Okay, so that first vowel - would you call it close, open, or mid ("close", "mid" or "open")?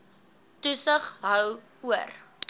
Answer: close